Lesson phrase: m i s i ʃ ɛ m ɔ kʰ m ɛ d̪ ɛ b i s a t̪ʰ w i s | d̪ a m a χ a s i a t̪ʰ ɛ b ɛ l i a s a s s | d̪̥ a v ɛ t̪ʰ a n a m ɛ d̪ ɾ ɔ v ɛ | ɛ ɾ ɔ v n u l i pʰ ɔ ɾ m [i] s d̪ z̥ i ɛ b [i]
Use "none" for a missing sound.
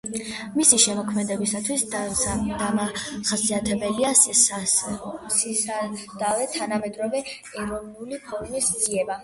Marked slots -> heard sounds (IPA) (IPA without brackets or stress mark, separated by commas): i, a